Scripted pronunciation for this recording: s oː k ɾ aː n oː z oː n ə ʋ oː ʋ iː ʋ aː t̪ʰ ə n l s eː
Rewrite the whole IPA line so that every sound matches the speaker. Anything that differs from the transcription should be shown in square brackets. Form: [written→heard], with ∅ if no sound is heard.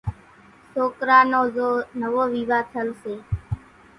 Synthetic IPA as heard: s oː k ɾ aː n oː z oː n ə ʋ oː ʋ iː ʋ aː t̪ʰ ə [n→∅] l s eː